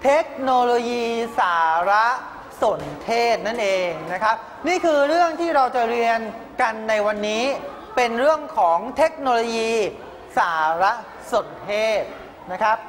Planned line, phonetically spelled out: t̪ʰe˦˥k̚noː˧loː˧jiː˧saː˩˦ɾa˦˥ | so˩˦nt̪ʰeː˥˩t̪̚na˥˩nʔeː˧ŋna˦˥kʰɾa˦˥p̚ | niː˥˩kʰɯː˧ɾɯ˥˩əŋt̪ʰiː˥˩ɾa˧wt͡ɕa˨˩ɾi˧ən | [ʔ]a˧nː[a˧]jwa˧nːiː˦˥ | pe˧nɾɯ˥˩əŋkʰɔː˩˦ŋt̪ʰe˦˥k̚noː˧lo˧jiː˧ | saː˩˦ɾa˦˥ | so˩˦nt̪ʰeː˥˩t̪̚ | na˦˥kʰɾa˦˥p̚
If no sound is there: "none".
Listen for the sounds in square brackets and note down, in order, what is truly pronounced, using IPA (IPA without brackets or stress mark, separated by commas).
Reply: k, a˧